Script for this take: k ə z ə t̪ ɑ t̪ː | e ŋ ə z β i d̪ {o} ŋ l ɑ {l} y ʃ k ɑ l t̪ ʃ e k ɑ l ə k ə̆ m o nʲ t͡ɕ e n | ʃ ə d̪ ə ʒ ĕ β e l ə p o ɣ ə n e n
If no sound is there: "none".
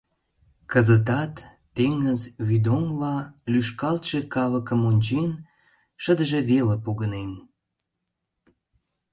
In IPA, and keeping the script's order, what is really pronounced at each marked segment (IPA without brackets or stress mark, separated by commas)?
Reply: o, l